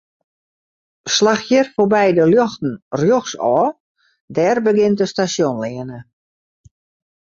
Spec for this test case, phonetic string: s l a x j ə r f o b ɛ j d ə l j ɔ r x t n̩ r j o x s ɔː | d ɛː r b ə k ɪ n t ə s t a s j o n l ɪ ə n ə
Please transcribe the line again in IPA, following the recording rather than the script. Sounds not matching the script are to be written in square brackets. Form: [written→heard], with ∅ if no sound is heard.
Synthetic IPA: s l a x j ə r f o b ɛ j d ə l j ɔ [r→∅] x t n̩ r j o x s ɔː | d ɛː r b ə [k→ɡ] ɪ n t ə s t a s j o n l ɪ ə n ə